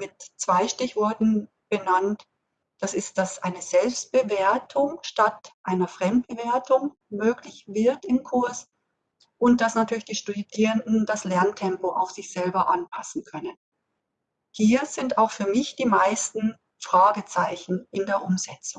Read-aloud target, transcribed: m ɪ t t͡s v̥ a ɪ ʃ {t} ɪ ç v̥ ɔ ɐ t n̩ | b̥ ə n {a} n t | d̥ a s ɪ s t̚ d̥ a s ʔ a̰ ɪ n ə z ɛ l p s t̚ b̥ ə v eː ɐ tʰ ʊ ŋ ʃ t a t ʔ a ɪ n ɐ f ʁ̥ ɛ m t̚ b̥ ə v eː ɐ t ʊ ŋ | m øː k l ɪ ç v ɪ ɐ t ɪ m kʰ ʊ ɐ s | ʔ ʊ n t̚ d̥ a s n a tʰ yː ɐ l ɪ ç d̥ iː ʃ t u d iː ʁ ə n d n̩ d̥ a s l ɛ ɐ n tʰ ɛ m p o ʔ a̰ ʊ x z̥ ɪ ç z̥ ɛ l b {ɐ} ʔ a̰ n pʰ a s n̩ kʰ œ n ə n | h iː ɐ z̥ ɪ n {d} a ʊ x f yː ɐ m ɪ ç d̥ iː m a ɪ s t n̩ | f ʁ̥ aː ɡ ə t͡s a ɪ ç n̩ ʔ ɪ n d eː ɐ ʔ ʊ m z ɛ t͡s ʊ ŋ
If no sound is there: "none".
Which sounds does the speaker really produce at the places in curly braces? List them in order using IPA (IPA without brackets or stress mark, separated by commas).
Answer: t, a, ɐ, t